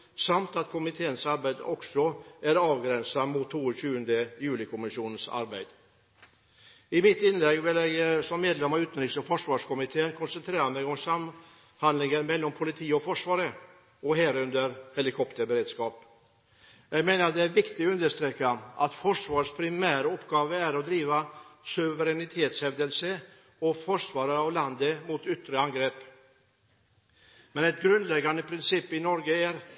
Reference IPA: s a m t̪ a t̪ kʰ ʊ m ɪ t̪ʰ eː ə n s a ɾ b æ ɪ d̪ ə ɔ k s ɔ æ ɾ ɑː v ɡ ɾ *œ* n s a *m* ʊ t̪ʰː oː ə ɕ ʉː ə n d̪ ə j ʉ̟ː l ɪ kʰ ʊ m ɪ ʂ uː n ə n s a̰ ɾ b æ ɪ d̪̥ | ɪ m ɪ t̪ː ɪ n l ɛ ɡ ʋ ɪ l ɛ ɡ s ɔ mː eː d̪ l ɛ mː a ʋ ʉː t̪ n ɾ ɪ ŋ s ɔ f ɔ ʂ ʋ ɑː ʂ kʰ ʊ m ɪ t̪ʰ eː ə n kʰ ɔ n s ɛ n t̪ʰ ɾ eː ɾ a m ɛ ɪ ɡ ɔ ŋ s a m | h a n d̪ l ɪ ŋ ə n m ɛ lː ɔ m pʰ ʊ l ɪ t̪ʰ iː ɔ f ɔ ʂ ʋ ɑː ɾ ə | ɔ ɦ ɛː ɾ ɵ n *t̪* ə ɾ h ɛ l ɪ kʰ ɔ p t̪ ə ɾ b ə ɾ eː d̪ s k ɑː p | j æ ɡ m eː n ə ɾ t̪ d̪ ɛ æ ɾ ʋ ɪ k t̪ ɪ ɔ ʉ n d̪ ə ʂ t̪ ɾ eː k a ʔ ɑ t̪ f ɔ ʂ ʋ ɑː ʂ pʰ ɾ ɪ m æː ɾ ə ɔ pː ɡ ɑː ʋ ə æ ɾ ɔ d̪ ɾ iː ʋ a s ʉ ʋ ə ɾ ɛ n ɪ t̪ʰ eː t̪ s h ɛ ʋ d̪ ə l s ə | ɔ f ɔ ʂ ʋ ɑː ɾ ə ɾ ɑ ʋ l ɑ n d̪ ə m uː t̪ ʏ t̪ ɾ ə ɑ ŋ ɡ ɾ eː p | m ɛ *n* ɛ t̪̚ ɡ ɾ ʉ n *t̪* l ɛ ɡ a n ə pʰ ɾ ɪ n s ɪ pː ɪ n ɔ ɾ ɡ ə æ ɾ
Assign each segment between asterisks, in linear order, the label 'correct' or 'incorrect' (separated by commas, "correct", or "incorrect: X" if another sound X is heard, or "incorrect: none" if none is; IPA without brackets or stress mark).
incorrect: ɛ, correct, incorrect: d̪, correct, incorrect: d̪